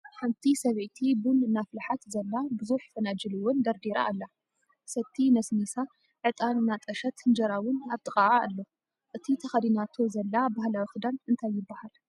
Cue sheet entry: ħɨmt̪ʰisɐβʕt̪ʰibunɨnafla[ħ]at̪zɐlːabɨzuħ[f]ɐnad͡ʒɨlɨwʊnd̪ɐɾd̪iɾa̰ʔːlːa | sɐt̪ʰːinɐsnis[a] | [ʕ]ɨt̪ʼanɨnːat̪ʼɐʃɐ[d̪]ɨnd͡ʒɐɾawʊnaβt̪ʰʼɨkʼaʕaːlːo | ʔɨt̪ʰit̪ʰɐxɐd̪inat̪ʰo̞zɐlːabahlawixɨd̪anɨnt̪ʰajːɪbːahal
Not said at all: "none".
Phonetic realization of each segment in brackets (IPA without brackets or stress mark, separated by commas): ħ, f, a, ʕ, t̪